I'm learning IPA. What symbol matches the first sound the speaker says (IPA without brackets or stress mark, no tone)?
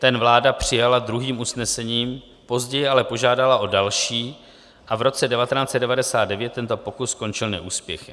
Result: t̪